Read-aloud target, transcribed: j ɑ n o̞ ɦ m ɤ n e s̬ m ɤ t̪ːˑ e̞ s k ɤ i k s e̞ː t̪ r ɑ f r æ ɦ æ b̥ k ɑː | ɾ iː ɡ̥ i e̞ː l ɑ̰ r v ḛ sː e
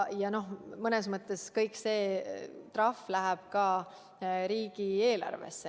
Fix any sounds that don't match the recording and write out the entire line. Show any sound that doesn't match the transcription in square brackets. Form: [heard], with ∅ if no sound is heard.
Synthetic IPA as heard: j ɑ n o̞ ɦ m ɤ n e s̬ m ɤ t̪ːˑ e̞ s k ɤ [j] k s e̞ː t̪ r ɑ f [l] æ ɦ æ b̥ k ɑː | ɾ iː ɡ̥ i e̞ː l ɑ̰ r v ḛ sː e

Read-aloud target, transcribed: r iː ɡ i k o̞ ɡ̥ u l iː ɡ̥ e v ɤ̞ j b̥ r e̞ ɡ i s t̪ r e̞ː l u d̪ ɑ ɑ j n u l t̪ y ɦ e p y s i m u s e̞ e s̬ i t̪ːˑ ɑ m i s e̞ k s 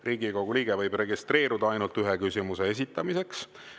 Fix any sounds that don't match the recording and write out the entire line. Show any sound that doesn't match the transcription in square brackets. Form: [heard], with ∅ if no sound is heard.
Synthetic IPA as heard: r iː ɡ i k o̞ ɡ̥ u l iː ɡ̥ e v ɤ̞ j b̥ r e̞ ɡ i s t̪ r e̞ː [ɾ] u d̪ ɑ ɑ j n u l t̪ y ɦ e [k] y s i m u s e̞ e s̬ i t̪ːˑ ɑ m i s e̞ k s

